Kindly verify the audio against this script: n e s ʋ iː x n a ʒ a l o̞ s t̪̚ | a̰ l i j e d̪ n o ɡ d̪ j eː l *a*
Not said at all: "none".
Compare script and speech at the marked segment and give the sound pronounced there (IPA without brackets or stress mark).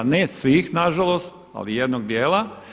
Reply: a